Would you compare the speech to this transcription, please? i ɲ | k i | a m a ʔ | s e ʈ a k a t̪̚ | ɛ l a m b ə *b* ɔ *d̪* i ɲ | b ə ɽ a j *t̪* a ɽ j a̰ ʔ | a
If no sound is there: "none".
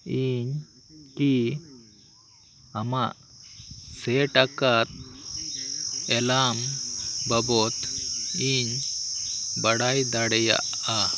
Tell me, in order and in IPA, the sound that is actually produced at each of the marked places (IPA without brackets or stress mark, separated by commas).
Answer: b, t̪, d̪